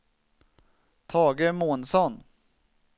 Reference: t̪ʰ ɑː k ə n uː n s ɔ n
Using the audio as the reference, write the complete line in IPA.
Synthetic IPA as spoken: t̪ʰ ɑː ɡ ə m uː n s ɔ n